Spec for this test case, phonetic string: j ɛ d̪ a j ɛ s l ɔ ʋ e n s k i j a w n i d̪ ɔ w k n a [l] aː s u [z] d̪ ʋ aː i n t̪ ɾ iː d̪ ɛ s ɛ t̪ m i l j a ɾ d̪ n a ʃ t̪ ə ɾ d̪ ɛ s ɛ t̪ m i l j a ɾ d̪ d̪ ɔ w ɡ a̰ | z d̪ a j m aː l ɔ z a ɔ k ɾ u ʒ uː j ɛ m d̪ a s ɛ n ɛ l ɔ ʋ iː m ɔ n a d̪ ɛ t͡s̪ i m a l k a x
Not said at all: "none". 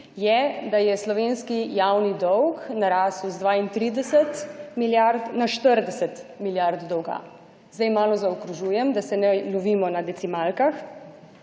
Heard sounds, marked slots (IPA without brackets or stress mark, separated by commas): ɾ, z